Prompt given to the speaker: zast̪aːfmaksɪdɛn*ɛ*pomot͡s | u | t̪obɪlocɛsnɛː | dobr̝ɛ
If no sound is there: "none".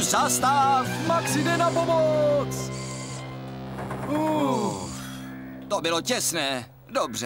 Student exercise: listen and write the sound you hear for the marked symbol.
a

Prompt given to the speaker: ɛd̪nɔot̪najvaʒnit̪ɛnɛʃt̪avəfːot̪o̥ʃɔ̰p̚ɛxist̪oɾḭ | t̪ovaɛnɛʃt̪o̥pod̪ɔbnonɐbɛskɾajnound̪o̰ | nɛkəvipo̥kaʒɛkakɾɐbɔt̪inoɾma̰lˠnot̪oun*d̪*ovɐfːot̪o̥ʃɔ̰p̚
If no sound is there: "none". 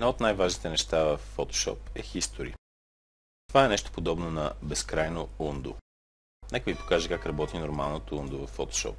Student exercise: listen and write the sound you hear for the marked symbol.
d̪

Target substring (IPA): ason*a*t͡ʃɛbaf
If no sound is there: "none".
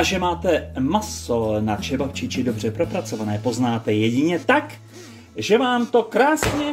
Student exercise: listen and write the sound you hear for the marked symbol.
a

